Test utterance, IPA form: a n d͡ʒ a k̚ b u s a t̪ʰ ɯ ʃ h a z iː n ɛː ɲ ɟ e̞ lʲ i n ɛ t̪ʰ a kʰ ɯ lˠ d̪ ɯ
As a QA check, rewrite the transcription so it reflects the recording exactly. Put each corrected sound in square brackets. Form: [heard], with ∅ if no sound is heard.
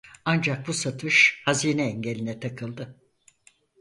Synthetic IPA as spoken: a n d͡ʒ a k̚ b u s a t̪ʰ ɯ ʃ h a z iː n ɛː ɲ ɟ e̞ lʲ i n ɛ t̪ʰ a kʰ ɯ lˠ d̪ ɯ